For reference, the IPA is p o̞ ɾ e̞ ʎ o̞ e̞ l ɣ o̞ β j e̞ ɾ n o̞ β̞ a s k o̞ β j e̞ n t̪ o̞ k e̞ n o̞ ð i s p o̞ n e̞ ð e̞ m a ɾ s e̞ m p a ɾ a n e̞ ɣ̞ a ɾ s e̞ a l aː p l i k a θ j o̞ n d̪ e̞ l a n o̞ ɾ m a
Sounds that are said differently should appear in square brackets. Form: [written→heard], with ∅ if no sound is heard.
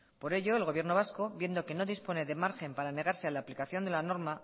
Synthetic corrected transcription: p o̞ ɾ e̞ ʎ o̞ e̞ l ɣ o̞ β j e̞ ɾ n o̞ β̞ a s k o̞ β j e̞ n [t̪→d̪] o̞ k e̞ n o̞ ð i s p o̞ n e̞ ð e̞ m a ɾ [s→x] e̞ m p a ɾ a n e̞ ɣ̞ a ɾ s e̞ a l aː p l i k a θ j o̞ n d̪ e̞ l a n o̞ ɾ m a